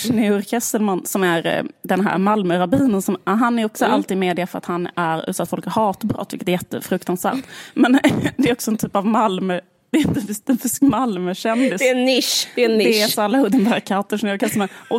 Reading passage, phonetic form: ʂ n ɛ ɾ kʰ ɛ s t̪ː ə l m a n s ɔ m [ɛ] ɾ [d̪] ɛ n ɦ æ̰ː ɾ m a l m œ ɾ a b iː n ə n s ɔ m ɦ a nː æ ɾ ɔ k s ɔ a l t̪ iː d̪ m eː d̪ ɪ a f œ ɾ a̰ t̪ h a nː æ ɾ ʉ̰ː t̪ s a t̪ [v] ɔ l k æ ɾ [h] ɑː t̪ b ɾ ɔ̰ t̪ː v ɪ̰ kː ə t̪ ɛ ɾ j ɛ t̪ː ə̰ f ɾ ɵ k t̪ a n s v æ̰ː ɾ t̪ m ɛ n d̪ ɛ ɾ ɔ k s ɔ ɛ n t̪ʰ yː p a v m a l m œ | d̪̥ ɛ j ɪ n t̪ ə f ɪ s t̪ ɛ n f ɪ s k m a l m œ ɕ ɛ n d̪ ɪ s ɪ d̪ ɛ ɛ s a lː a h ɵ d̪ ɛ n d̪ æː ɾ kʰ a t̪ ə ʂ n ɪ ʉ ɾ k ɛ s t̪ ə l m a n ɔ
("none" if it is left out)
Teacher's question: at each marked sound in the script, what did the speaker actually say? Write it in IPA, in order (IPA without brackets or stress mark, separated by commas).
æ, d̪, f, h